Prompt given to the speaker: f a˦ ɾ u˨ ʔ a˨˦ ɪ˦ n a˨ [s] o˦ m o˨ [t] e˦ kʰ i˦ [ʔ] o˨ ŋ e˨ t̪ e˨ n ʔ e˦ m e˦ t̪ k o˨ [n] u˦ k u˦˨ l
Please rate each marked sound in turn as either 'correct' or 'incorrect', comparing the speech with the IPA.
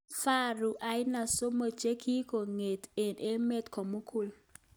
correct, incorrect: t͡ʃ, incorrect: k, incorrect: m

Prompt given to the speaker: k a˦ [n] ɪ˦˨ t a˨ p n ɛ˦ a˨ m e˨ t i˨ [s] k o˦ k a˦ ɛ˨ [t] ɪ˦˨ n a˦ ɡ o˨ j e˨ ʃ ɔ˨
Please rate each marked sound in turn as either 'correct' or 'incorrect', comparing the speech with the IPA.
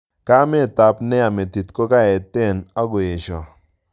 incorrect: m, incorrect: t, correct

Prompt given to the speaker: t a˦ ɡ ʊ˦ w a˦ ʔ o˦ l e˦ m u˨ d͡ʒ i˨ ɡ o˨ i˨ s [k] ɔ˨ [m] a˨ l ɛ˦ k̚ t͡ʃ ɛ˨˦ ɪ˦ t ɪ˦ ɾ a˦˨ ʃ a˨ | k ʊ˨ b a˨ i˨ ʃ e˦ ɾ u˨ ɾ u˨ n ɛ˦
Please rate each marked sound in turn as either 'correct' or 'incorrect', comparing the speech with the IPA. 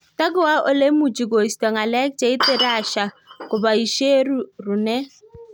incorrect: t, incorrect: ŋ

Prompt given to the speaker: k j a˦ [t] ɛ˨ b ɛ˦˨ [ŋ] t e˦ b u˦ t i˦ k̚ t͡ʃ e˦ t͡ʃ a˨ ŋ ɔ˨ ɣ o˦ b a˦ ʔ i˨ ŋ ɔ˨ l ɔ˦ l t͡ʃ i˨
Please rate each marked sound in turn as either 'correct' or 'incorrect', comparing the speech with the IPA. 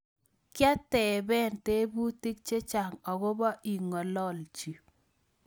correct, incorrect: n

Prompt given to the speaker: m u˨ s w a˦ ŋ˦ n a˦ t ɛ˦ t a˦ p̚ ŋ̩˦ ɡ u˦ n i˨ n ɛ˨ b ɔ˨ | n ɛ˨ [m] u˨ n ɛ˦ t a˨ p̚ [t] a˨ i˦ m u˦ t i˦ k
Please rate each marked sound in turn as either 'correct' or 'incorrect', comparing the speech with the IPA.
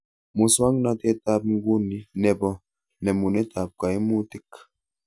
correct, incorrect: k

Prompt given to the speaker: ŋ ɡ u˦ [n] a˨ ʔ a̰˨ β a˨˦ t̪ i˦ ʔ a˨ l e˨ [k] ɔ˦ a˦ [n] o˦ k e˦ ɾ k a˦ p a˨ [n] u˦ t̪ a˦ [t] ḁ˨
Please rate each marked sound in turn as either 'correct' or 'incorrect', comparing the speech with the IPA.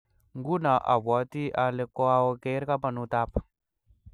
correct, correct, incorrect: none, correct, incorrect: p

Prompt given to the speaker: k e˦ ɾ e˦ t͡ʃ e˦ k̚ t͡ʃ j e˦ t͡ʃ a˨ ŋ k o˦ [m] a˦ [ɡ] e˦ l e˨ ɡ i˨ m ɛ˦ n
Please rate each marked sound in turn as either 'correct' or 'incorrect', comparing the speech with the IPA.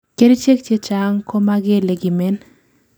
correct, correct

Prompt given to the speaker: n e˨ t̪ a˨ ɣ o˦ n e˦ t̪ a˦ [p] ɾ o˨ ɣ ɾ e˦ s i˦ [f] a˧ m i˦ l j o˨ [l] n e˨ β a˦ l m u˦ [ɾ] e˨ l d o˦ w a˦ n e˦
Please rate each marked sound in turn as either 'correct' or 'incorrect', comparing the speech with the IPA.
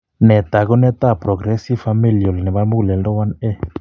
correct, correct, correct, incorrect: l

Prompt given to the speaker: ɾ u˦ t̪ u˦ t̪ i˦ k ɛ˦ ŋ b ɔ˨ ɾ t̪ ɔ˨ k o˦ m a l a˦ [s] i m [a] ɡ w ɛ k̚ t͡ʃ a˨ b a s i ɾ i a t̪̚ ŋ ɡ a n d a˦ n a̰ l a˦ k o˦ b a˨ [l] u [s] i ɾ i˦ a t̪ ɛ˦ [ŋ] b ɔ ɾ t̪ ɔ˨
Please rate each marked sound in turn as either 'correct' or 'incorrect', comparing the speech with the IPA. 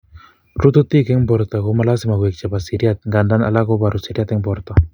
correct, correct, incorrect: ɾ, correct, correct

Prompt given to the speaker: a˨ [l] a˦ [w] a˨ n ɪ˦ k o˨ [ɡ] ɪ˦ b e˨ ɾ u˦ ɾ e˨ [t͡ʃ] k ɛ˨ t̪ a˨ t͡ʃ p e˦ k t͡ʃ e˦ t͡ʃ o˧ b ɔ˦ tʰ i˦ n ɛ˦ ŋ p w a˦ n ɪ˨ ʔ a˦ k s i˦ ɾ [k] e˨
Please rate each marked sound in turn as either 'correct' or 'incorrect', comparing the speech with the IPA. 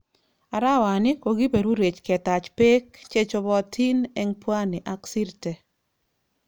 incorrect: ɾ, correct, correct, correct, incorrect: t

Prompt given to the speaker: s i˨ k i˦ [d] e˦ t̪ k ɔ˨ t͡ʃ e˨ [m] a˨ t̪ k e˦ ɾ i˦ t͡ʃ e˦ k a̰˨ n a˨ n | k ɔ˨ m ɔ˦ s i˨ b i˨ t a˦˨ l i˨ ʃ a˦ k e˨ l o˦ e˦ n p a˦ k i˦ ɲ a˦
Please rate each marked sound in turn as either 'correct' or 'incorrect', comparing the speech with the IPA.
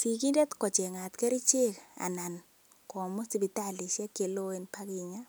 correct, incorrect: ŋ

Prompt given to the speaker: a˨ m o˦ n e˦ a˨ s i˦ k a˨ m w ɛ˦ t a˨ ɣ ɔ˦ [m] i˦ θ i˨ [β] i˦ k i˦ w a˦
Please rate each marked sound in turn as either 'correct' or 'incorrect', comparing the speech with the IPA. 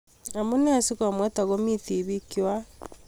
correct, correct

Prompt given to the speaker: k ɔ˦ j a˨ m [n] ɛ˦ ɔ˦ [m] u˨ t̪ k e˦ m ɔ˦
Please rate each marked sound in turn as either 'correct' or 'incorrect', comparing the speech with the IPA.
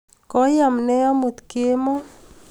correct, correct

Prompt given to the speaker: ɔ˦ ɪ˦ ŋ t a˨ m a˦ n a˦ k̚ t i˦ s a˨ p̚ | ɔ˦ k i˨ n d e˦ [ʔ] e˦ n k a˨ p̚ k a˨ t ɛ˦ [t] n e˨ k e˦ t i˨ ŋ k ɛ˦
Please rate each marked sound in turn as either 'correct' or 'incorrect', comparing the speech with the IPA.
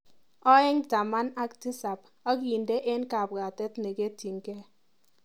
correct, correct

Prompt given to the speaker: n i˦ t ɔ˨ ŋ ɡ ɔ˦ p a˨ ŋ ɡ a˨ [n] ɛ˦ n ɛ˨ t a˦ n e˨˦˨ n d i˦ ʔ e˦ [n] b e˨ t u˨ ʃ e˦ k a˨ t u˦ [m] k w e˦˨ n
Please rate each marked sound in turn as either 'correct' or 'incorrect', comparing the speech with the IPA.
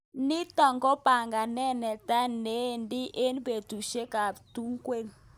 correct, correct, incorrect: ŋ

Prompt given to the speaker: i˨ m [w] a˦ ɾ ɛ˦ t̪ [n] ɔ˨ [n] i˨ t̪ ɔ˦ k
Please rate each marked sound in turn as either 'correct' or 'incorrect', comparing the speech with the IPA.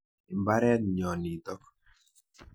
incorrect: b, incorrect: ɲ, correct

